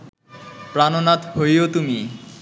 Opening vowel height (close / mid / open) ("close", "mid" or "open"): open